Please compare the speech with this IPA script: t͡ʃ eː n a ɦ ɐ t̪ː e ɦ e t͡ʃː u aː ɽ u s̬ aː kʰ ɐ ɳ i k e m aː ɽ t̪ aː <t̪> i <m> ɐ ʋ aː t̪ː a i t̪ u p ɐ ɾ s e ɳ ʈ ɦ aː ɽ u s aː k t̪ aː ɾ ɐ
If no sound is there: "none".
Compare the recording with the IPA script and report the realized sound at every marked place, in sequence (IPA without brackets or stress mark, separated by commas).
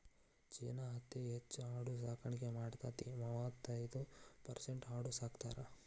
t̪, m